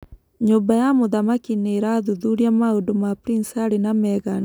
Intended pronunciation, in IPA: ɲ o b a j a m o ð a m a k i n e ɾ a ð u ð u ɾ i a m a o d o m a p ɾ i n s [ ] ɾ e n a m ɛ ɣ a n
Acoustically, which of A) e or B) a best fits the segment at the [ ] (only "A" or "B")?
B